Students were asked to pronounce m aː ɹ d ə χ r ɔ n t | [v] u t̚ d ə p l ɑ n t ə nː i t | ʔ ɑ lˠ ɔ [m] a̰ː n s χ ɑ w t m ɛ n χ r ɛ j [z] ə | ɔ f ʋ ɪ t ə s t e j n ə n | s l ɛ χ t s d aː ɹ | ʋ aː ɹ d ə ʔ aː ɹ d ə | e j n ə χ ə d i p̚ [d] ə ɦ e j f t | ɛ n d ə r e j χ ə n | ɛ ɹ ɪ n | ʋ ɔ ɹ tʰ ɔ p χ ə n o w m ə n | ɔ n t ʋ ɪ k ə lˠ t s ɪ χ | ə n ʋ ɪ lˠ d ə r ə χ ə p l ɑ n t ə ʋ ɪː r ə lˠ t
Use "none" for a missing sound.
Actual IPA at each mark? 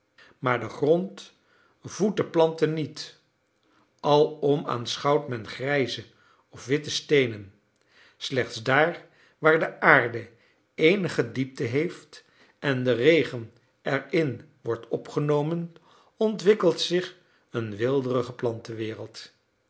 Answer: v, m, z, t

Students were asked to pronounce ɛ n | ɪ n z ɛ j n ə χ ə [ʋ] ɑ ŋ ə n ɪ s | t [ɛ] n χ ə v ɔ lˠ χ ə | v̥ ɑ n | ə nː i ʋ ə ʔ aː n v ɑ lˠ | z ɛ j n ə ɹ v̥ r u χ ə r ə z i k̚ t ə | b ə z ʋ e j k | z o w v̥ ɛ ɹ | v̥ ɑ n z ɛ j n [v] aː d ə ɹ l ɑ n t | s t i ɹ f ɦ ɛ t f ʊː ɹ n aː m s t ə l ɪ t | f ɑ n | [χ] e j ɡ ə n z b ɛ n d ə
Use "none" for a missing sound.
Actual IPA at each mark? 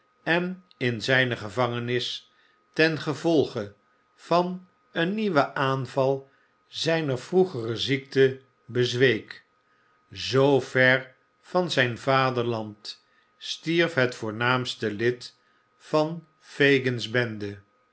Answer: v, ɛ, v, f

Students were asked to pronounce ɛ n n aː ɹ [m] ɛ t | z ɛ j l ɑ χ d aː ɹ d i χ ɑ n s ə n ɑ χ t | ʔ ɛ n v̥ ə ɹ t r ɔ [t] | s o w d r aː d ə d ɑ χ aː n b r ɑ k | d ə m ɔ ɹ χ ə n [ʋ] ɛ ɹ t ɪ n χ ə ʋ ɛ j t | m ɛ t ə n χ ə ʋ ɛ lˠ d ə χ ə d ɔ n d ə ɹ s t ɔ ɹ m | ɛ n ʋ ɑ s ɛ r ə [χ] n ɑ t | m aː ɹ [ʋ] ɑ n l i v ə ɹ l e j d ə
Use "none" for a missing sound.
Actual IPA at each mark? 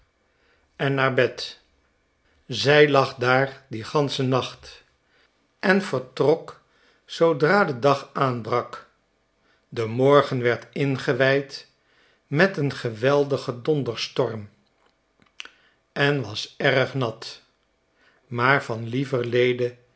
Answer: b, k, ʋ, χ, v

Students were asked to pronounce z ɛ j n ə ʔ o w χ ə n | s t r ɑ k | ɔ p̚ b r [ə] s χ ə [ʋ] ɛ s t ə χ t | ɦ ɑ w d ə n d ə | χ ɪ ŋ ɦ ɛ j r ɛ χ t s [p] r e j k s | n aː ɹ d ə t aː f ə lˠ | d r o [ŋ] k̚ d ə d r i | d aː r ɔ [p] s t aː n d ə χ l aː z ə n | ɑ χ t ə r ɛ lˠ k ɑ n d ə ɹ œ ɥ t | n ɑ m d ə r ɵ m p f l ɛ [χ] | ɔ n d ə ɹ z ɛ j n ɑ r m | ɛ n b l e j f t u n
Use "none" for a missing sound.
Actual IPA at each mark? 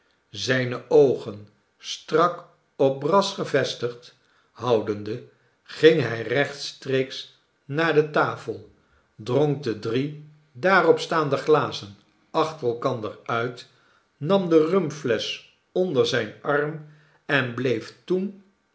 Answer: ɑ, v, t, ŋ, p, s

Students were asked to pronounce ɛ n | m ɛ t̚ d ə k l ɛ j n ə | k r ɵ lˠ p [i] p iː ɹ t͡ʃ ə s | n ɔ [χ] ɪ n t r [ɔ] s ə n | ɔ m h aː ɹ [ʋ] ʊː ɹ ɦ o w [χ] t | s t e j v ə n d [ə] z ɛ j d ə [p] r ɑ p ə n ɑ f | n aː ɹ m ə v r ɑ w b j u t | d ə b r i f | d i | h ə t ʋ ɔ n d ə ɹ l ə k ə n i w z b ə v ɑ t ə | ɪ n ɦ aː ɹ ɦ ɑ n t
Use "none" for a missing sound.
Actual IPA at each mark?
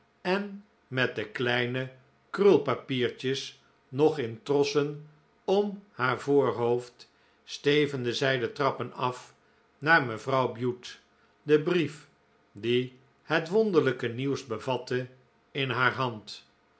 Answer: a, χ, ɔ, v, f, ə, t

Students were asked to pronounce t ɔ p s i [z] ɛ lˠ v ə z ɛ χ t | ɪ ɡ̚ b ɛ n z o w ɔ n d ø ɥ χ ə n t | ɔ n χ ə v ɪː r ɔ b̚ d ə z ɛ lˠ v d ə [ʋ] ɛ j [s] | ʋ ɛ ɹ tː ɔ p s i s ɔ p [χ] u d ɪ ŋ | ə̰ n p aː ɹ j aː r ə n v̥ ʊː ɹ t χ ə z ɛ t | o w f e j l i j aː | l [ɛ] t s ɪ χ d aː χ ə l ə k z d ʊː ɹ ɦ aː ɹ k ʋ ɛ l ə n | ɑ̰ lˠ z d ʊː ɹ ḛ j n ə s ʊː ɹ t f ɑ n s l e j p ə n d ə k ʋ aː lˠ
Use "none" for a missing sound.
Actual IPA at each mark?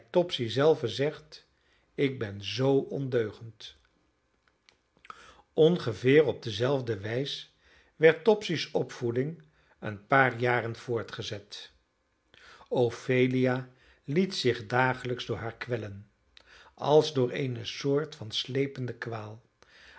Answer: z, ʋ, s, f, i

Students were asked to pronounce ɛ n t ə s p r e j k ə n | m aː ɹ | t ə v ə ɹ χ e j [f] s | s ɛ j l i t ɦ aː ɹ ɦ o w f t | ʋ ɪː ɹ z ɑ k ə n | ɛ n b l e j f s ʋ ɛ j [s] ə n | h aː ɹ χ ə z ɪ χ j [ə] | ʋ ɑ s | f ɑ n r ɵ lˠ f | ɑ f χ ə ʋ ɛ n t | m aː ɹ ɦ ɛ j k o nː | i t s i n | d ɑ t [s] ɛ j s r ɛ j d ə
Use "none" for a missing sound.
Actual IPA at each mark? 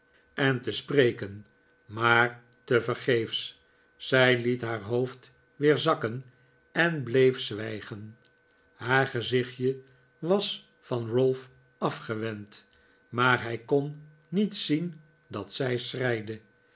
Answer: f, χ, ə, s

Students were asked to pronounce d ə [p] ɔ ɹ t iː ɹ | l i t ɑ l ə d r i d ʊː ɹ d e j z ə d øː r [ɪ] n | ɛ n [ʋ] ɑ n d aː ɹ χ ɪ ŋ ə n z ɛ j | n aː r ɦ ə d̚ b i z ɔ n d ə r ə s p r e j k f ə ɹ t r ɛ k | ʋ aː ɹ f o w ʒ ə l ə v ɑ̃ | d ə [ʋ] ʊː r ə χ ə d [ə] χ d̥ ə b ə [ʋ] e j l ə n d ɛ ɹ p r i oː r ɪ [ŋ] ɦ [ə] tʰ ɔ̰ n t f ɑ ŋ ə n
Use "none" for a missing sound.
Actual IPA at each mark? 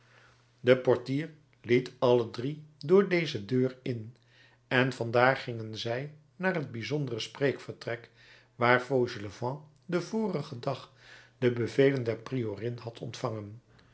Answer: p, ɪ, v, v, ɑ, v, n, ɑ

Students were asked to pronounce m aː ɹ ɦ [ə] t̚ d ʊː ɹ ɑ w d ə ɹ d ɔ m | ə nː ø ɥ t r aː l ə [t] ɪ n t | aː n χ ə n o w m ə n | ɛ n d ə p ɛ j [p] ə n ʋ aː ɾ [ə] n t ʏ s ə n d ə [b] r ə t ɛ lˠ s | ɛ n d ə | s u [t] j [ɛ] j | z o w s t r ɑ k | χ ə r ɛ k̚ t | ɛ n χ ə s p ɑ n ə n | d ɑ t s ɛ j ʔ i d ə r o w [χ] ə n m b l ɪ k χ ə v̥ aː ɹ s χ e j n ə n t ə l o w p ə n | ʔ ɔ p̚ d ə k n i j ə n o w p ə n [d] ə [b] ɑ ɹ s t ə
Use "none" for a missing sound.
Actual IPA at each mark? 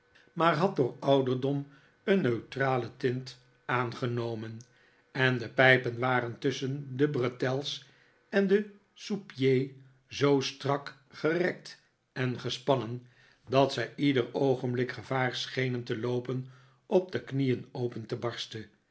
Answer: ɑ, t, p, ə, b, p, e, χ, t, b

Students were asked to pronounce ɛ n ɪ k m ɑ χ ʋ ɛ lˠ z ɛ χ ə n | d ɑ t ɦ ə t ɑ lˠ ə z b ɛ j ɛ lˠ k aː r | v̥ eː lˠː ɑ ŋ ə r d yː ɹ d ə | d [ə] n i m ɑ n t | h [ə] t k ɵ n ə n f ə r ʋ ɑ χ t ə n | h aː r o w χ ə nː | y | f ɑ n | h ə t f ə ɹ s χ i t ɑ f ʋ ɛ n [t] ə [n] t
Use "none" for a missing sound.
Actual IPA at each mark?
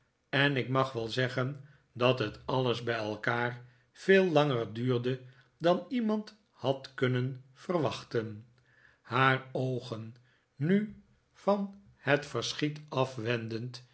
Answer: ɑ, ɑ, d, n

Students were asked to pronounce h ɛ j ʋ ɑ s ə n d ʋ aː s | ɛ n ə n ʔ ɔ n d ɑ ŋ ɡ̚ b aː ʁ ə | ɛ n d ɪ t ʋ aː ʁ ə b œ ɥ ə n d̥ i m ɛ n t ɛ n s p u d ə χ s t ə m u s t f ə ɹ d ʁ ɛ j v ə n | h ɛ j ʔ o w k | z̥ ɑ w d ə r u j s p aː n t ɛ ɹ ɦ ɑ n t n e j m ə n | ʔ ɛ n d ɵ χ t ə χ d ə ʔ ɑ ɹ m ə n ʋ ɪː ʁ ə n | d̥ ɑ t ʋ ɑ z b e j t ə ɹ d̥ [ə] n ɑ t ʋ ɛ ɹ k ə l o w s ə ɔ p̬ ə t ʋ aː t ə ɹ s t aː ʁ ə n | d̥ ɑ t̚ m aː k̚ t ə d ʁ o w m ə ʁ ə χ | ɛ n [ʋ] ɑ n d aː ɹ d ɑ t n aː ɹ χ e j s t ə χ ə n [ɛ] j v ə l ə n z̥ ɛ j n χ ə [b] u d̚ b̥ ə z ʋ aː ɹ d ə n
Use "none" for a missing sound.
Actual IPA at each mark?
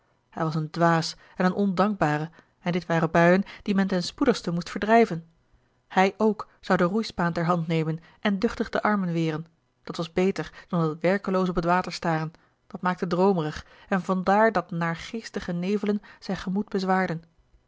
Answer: ɑ, v, e, m

